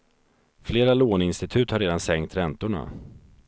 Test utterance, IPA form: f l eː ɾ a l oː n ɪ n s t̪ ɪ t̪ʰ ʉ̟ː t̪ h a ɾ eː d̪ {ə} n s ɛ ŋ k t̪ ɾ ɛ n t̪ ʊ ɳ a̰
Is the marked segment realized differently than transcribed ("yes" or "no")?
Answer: yes